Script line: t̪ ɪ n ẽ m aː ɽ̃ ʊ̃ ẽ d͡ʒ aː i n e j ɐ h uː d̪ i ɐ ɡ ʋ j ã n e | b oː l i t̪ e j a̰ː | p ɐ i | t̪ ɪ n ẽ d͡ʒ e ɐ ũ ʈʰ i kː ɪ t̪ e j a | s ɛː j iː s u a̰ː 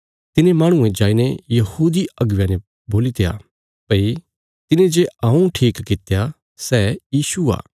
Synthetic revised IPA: t̪ ɪ n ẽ m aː ɽ̃ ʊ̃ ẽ d͡ʒ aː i n e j ɐ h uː d̪ i ɐ ɡ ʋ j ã n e | b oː l i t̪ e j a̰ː | p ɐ i | t̪ ɪ n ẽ d͡ʒ e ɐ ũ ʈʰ iː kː ɪ t̪ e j a | s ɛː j iː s u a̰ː